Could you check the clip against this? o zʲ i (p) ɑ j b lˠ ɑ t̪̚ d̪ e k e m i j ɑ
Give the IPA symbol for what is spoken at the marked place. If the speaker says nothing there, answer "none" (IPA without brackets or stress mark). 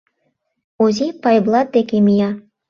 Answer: p